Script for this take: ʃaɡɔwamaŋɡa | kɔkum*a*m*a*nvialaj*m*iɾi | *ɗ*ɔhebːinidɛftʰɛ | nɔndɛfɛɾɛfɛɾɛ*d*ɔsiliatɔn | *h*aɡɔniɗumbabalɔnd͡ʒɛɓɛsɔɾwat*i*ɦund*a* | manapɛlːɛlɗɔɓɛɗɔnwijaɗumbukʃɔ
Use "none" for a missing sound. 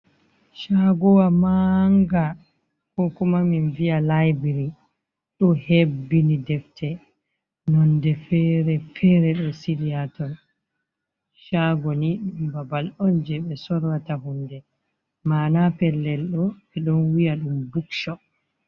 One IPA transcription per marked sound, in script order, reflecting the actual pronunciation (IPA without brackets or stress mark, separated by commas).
a, i, b, ɗ, ɗ, ʃ, a, ɛ